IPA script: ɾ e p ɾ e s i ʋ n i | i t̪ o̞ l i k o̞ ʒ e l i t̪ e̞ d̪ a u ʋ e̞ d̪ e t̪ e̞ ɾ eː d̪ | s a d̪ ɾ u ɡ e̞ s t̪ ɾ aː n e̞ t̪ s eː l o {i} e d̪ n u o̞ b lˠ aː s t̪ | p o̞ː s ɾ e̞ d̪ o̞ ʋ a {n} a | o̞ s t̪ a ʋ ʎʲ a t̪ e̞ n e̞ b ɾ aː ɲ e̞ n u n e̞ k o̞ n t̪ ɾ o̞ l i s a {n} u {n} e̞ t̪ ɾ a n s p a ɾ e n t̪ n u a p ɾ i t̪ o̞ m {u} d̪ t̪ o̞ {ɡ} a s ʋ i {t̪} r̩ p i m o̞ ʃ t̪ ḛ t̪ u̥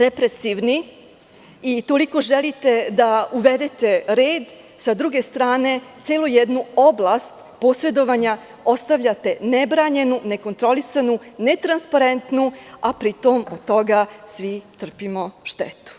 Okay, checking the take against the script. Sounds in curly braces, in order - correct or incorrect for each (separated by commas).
incorrect, incorrect, correct, correct, incorrect, correct, correct